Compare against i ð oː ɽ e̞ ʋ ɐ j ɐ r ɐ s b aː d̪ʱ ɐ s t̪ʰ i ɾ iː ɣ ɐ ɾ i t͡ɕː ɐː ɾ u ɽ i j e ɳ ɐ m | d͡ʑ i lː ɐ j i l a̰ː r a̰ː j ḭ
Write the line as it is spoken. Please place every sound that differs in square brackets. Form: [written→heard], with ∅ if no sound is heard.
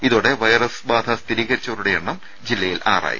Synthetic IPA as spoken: i ð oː ɽ e̞ ʋ ɐ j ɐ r ɐ s b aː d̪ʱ ɐ s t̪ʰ i ɾ iː ɣ ɐ ɾ i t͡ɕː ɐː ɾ u ɽ [i→e] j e ɳ ɐ m | d͡ʑ i lː ɐ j i l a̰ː r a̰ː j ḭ

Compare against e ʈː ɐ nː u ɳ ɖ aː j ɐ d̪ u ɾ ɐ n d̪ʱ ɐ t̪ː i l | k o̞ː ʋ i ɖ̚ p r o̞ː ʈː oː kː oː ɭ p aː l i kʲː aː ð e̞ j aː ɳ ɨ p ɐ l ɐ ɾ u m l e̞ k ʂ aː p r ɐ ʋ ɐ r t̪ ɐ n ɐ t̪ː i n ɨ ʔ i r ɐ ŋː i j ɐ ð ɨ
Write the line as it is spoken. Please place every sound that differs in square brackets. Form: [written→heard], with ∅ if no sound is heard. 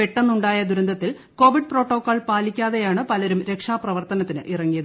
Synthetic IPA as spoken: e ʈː ɐ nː u ɳ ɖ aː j ɐ d̪ u ɾ ɐ n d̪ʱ ɐ t̪ː i l | k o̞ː ʋ i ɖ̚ p r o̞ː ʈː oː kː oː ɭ p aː l i kʲː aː ð e̞ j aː ɳ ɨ p ɐ l ɐ ɾ u m [l→ɾ] e̞ k ʂ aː p r ɐ ʋ ɐ r t̪ ɐ n ɐ t̪ː i n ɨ ʔ i r ɐ ŋː i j ɐ ð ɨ

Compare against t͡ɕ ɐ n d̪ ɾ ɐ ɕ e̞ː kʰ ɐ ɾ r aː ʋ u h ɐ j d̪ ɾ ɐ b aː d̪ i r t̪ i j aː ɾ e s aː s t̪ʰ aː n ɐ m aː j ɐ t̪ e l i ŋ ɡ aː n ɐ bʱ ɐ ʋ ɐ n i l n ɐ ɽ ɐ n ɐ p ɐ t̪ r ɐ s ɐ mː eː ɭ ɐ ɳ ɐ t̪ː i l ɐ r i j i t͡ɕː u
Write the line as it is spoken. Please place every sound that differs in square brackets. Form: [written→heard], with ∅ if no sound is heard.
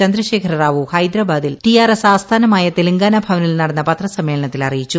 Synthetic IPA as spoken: t͡ɕ ɐ n d̪ ɾ ɐ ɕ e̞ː kʰ ɐ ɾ r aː ʋ u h ɐ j d̪ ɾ ɐ b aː d̪ i [r→l] t̪ i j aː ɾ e s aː s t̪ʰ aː n ɐ m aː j ɐ t̪ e l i ŋ ɡ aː n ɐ bʱ ɐ ʋ ɐ n i l n ɐ ɽ ɐ [n→nː] ɐ p ɐ t̪ r ɐ s ɐ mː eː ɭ ɐ ɳ ɐ t̪ː i l ɐ r i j i t͡ɕː u

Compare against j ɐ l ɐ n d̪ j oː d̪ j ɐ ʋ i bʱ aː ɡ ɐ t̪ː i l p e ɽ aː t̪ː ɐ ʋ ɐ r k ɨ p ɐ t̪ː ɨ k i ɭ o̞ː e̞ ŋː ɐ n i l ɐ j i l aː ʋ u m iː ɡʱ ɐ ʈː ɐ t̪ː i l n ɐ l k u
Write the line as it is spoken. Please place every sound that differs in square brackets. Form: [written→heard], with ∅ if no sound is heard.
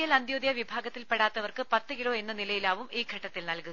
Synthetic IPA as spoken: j ɐ l ɐ n d̪ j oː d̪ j ɐ ʋ i bʱ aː ɡ ɐ t̪ː i l p e ɽ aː t̪ː ɐ ʋ ɐ r k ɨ p ɐ t̪ː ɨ k i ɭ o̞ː e̞ [ŋː→nː] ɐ n i l ɐ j i l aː ʋ u m iː ɡʱ ɐ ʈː ɐ t̪ː i l n ɐ l k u

